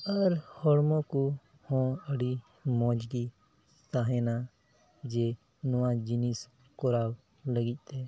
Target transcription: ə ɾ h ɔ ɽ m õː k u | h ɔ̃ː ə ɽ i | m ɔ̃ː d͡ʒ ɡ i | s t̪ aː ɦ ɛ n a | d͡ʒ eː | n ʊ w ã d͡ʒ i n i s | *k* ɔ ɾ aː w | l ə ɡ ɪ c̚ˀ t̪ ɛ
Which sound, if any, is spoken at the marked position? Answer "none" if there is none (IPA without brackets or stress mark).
k